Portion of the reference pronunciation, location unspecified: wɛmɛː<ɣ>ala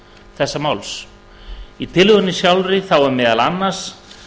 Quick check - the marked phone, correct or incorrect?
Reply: incorrect: ð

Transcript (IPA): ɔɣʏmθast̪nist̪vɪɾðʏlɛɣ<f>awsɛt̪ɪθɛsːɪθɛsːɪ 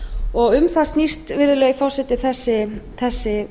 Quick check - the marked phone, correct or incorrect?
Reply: correct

